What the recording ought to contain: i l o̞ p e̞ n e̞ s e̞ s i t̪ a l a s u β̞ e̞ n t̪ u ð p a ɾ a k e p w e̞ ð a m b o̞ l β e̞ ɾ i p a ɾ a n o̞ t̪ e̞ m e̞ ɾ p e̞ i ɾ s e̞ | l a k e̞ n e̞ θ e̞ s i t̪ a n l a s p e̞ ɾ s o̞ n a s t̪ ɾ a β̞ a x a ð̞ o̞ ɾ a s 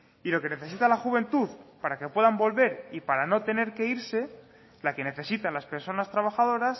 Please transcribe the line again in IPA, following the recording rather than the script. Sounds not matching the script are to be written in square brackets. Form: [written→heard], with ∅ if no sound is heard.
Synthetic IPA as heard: i l o̞ [p→k] e̞ n e̞ [s→θ] e̞ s i t̪ a l a [s→x] u β̞ e̞ n t̪ u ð p a ɾ a k e p w e̞ ð a m b o̞ l β e̞ ɾ i p a ɾ a n o̞ t̪ e̞ [m→n] e̞ ɾ [p→k] e̞ i ɾ s e̞ | l a k e̞ n e̞ θ e̞ s i t̪ a n l a s p e̞ ɾ s o̞ n a s t̪ ɾ a β̞ a x a ð̞ o̞ ɾ a s

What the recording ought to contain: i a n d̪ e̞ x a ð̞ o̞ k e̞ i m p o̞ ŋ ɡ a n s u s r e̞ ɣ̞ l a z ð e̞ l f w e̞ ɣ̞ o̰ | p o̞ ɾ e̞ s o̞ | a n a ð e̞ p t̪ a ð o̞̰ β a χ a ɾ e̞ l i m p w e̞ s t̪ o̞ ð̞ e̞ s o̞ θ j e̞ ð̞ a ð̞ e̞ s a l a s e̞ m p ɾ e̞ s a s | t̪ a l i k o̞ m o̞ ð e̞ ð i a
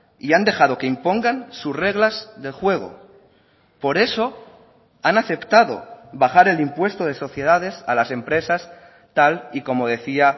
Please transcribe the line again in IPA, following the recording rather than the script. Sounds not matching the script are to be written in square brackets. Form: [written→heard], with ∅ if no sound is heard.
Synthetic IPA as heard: i a n d̪ e̞ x a ð̞ o̞ k e̞ i m p o̞ ŋ ɡ a n s u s r e̞ ɣ̞ l a z ð e̞ l [f→x] w e̞ ɣ̞ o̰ | p o̞ ɾ e̞ s o̞ | a n a [ð→θ] e̞ p t̪ a ð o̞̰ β a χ a ɾ e̞ l i m p w e̞ s t̪ o̞ ð̞ e̞ s o̞ θ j e̞ ð̞ a ð̞ e̞ s a l a s e̞ m p ɾ e̞ s a s | t̪ a l i k o̞ m o̞ ð e̞ [ð→θ] i a

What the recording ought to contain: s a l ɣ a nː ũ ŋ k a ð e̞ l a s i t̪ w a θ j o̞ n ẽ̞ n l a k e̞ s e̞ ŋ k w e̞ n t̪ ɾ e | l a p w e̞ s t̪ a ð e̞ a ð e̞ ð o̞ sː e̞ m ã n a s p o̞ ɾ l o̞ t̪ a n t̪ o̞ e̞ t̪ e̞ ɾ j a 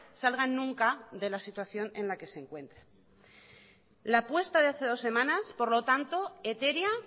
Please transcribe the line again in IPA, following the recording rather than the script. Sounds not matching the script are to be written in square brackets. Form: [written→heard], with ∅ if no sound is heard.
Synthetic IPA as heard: s a l ɣ a nː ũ ŋ k a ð e̞ l a s i t̪ w a θ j o̞ n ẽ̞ n l a k e̞ s e̞ ŋ k w e̞ n t̪ ɾ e | l a p w e̞ s t̪ a ð e̞ a [ð→θ] e̞ ð o̞ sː e̞ m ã n a s p o̞ ɾ l o̞ t̪ a n t̪ o̞ e̞ t̪ e̞ ɾ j a

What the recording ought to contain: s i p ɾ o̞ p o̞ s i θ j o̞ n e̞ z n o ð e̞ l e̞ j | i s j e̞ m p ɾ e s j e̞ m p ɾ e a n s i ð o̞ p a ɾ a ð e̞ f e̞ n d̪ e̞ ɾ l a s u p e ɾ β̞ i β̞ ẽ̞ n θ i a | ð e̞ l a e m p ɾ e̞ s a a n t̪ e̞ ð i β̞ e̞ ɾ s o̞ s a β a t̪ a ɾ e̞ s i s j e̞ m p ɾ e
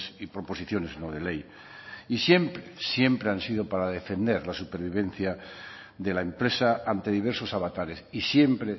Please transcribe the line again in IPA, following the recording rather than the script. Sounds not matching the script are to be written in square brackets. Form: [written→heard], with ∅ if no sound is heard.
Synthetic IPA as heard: s i p ɾ o̞ p o̞ s i θ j o̞ n e̞ z n o ð e̞ l e̞ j | i s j e̞ m p ɾ e s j e̞ m p ɾ e a n s i ð o̞ p a ɾ a ð e̞ f e̞ n d̪ e̞ ɾ l a s u p e ɾ β̞ i β̞ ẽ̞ n θ [i→j] a | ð e̞ l a e m p ɾ e̞ s a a n t̪ e̞ ð i β̞ e̞ ɾ s o̞ s a β a t̪ a ɾ e̞ s i s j e̞ m p ɾ e

